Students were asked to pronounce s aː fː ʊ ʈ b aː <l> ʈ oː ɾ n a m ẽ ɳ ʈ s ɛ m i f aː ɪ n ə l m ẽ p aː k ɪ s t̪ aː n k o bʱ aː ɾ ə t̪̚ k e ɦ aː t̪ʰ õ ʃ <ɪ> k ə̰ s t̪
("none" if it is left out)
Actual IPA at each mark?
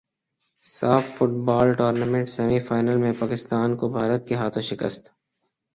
l, ɪ

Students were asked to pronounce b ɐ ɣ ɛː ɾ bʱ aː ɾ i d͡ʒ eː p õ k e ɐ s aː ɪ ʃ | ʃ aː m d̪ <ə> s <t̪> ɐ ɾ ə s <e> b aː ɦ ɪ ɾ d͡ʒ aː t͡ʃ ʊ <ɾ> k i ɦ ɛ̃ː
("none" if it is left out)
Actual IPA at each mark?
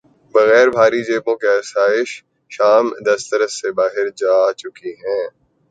ɐ, t̪, e, none

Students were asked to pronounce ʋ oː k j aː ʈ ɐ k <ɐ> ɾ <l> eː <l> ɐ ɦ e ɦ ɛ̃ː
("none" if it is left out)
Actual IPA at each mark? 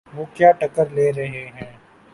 ə, l, ɾ

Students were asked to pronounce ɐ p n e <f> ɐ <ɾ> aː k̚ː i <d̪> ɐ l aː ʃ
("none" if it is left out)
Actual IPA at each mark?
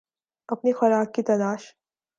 x, ɾ, t̪

